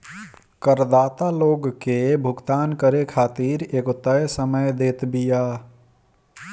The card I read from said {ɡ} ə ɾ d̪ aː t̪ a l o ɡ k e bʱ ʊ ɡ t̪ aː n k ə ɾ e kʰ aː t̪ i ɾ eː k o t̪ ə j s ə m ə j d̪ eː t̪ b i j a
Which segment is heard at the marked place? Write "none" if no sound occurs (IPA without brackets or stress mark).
k